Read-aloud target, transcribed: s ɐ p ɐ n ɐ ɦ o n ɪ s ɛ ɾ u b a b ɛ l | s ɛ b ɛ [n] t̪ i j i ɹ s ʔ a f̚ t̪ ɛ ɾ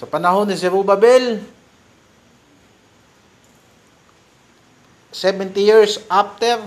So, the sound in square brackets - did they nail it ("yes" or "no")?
yes